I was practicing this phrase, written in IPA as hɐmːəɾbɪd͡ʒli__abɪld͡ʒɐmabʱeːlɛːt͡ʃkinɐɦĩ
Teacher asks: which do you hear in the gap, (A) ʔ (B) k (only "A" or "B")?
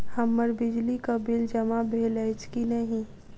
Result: B